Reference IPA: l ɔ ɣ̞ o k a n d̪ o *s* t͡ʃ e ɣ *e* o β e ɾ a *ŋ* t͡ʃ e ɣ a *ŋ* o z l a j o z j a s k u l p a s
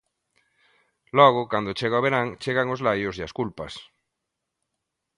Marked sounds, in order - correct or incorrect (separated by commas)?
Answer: incorrect, incorrect, correct, correct